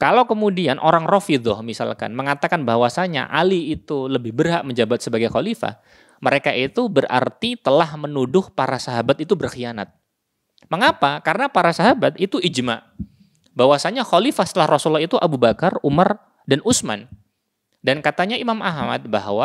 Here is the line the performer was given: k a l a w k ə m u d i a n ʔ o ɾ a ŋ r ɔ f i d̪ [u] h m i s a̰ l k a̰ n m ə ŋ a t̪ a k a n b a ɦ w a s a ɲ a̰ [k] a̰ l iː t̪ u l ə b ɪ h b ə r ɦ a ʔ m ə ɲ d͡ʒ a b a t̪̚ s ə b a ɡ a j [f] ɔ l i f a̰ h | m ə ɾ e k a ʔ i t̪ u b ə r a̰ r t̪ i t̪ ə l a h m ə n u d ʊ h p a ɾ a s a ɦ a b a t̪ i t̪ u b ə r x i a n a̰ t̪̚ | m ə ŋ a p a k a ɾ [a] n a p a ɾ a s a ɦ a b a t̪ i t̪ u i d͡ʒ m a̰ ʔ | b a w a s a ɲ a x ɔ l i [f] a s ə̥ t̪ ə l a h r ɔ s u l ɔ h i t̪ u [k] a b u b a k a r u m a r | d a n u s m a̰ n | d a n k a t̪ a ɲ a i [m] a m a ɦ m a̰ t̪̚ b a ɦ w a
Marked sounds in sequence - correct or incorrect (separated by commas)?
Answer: incorrect, incorrect, incorrect, incorrect, correct, incorrect, correct